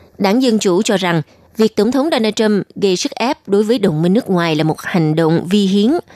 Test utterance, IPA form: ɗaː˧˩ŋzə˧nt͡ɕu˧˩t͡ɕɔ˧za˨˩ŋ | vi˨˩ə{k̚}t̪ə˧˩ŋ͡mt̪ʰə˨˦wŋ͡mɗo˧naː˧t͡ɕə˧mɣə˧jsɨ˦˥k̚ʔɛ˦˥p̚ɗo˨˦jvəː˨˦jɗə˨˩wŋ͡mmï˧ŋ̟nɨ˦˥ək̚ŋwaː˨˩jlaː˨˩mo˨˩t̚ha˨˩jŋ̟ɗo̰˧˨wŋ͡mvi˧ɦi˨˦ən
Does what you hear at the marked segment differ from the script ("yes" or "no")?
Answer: no